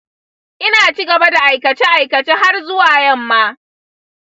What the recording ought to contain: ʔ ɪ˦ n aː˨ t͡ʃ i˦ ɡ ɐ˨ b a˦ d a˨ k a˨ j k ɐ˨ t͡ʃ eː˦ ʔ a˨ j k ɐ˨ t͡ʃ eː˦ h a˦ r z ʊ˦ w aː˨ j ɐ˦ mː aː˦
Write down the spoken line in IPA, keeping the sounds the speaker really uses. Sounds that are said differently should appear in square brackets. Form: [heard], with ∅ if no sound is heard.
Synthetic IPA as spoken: ʔ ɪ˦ n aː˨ t͡ʃ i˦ ɡ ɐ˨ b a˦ d a˨ [ʔ] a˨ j k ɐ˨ t͡ʃ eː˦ ʔ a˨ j k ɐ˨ t͡ʃ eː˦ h a˦ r z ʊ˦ w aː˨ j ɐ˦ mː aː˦